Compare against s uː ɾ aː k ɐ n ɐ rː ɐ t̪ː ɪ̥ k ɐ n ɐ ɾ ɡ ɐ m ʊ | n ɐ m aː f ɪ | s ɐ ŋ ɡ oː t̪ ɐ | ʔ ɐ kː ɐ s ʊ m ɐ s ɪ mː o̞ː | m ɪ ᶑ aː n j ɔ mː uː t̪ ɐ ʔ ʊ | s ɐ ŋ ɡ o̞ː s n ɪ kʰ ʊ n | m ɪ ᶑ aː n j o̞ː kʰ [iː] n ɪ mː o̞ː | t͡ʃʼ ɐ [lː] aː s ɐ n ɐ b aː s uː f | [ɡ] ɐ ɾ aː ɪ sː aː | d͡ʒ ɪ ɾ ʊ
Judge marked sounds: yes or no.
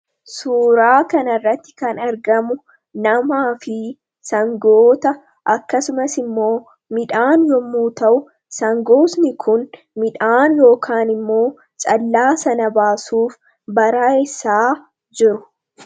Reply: no, yes, no

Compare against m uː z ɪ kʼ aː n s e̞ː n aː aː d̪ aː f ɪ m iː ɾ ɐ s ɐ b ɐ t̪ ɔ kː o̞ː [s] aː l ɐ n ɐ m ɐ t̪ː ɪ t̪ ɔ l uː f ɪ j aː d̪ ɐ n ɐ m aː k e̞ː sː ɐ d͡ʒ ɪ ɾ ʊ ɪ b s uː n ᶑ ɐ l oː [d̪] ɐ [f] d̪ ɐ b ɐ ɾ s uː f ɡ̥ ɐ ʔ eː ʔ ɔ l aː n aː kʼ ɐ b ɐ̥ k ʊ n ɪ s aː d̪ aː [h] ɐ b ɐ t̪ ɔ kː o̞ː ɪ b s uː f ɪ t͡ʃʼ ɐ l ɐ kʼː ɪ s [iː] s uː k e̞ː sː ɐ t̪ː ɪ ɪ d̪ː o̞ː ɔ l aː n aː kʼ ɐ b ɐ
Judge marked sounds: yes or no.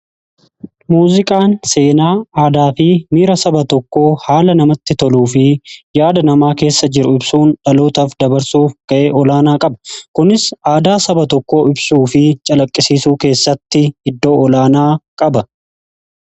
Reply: no, no, yes, no, yes

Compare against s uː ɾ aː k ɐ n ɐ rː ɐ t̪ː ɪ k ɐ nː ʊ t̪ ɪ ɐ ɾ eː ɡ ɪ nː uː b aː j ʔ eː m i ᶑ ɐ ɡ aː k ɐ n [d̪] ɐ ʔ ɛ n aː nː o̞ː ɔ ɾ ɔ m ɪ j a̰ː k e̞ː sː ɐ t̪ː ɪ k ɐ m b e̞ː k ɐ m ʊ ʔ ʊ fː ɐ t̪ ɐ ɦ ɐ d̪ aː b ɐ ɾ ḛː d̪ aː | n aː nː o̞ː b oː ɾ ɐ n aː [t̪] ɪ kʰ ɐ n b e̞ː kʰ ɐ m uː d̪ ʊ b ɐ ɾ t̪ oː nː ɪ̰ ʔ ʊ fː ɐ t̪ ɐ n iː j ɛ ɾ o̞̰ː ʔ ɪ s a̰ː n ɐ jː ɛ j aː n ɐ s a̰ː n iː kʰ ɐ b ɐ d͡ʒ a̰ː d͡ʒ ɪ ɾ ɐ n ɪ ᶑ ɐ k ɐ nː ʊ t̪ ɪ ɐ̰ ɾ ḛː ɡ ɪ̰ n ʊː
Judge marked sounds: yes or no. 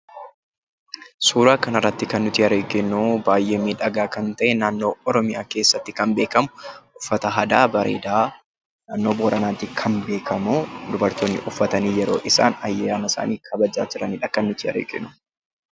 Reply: no, yes

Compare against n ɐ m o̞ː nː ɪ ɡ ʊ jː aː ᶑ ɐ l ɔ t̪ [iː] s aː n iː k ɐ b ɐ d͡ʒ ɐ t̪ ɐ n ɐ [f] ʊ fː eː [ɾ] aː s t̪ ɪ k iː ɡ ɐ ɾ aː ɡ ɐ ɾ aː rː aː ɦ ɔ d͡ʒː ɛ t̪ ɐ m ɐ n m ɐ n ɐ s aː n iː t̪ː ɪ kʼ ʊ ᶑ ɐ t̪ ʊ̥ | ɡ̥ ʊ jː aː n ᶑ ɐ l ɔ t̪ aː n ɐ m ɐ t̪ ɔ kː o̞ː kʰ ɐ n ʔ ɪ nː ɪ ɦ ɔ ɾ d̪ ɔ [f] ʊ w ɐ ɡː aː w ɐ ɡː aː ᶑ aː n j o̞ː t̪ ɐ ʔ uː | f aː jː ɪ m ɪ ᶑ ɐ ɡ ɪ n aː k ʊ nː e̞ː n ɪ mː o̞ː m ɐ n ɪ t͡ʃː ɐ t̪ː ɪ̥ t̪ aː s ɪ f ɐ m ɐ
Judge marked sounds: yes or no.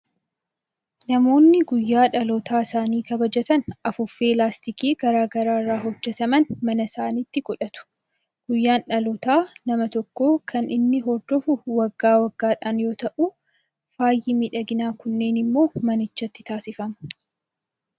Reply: no, yes, no, yes

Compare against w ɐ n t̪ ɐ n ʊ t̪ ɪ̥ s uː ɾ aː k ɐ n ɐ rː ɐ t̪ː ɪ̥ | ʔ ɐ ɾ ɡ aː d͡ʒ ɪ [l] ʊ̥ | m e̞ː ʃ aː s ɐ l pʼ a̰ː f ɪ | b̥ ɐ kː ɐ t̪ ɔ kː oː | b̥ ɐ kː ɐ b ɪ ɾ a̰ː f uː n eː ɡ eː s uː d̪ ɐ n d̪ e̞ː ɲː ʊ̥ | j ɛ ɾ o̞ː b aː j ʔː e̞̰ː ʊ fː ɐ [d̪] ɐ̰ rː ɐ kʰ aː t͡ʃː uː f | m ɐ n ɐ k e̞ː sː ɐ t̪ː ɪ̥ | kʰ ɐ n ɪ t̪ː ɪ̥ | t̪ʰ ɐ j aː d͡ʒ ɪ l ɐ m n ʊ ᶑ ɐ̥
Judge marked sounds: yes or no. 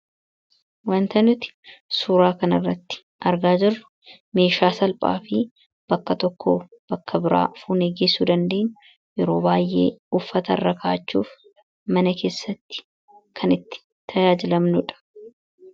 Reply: no, no

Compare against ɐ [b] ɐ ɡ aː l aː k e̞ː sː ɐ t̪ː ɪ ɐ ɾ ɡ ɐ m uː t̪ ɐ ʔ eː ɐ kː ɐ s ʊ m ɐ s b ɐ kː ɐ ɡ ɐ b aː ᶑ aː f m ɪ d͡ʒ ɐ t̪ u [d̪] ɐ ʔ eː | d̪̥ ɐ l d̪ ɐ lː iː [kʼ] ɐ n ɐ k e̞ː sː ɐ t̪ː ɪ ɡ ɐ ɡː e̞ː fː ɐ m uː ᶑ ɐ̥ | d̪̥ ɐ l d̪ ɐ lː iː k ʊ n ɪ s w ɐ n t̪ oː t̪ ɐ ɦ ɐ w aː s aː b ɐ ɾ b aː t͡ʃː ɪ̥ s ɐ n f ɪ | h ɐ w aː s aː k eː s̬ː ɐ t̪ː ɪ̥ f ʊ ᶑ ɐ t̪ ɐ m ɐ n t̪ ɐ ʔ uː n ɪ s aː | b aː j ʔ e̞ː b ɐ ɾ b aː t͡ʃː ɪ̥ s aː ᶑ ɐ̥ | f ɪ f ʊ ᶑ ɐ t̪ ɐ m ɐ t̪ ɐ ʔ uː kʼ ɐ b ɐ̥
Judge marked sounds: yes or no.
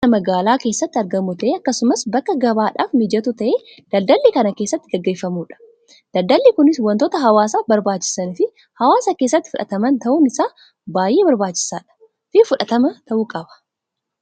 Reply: no, no, no

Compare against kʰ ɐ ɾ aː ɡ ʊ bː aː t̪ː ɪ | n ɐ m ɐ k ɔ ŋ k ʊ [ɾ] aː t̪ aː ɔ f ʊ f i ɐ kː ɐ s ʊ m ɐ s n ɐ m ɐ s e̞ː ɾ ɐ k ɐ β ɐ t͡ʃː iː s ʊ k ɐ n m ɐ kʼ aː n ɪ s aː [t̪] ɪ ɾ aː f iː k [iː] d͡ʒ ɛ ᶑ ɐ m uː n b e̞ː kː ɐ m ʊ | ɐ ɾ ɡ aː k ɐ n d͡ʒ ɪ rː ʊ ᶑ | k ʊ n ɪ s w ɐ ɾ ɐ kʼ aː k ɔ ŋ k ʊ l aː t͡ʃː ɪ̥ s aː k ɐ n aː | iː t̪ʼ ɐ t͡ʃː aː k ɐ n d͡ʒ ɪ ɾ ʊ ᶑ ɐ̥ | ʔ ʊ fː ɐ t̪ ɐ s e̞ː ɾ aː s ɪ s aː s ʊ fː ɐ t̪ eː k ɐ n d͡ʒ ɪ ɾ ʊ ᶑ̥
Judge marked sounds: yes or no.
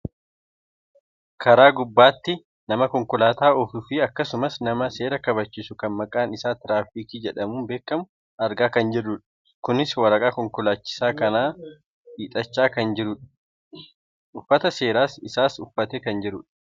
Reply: no, yes, yes

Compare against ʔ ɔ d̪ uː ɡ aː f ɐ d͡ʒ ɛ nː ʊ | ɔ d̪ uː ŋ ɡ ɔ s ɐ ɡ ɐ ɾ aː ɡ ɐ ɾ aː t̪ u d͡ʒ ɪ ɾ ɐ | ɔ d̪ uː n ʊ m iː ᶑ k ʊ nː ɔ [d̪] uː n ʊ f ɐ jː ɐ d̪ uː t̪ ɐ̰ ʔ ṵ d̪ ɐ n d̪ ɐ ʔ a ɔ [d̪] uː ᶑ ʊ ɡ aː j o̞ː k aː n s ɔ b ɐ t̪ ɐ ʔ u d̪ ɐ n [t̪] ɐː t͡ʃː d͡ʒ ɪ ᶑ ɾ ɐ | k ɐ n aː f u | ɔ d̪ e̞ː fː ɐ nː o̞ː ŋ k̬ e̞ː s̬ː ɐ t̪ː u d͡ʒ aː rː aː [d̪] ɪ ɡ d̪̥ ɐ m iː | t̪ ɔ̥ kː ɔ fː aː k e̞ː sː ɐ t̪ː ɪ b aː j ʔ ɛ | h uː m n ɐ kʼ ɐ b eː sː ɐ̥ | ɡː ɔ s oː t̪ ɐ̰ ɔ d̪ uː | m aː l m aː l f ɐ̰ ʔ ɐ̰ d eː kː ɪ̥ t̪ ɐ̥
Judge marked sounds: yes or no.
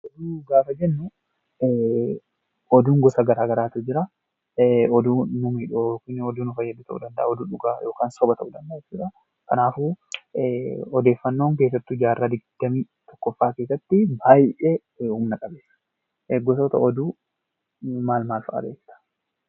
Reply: yes, yes, no, yes

